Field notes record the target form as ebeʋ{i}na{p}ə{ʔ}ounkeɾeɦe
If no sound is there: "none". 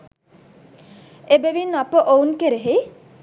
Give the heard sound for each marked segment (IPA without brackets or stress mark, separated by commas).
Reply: i, p, ʔ